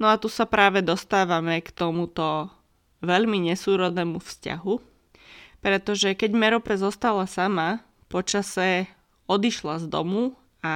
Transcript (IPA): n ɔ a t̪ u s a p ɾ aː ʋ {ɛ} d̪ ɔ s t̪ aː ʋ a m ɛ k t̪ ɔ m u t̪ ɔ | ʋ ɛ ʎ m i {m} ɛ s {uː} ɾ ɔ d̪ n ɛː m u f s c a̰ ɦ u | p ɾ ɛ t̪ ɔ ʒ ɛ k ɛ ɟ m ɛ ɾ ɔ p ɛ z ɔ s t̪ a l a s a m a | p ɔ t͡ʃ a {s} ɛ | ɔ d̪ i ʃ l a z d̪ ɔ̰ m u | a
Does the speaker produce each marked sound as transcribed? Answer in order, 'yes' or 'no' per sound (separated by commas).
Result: yes, no, yes, yes